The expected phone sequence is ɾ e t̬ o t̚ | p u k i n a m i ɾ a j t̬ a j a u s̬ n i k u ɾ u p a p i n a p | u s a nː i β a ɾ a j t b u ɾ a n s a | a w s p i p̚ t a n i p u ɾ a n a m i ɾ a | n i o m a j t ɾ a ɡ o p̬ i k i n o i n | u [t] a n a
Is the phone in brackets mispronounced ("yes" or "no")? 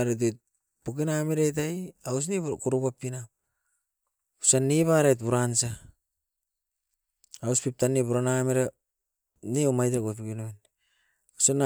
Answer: yes